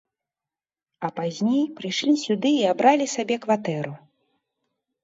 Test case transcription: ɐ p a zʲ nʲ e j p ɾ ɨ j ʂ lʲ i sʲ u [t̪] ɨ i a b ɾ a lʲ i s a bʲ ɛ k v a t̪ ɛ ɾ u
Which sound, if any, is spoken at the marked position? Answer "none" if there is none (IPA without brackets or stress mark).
d̪